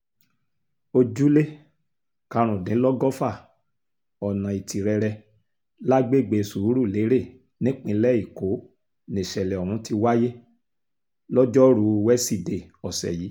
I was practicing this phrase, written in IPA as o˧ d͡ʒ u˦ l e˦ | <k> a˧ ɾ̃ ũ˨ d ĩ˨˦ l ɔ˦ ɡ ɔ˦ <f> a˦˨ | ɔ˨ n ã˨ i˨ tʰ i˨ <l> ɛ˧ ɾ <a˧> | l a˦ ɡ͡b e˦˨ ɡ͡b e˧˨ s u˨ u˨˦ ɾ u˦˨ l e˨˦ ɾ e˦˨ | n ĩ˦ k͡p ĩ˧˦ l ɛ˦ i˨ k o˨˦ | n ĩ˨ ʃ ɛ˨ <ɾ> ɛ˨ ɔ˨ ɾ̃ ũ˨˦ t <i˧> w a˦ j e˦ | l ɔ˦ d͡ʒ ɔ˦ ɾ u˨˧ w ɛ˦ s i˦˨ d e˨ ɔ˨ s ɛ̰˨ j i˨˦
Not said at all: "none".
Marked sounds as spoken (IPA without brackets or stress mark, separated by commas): k, f, ɾ, ɛ˧, l, i˧